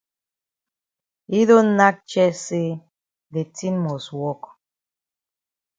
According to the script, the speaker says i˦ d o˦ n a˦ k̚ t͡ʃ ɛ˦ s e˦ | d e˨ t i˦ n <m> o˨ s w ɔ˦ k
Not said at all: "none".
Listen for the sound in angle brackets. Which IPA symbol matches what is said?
m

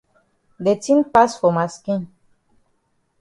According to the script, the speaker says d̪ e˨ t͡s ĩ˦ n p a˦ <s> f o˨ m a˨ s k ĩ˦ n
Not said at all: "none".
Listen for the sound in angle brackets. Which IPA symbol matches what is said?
s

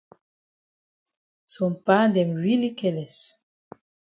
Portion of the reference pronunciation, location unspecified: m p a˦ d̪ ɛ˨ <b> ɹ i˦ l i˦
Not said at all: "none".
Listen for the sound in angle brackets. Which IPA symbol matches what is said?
m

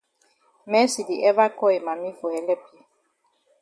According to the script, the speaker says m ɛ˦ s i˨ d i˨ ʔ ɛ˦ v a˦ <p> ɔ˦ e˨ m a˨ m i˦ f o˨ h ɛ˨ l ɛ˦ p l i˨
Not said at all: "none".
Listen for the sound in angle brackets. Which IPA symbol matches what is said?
k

